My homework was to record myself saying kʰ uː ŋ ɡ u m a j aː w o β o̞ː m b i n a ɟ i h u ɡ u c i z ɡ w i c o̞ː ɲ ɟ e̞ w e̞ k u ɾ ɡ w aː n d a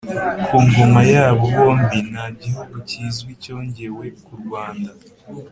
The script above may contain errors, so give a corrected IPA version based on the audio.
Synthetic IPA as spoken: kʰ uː ŋ ɡ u m a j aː β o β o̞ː m b i n a ɟ i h u ɡ u c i z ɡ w i c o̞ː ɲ ɟ e̞ w e̞ k u ɾ ɡ w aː n d a